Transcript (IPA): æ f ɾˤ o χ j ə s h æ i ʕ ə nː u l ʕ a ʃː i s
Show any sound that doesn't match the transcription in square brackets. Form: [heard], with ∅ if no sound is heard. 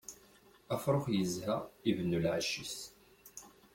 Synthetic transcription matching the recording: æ f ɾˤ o χ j ə [z] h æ i [v] ə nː u l ʕ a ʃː i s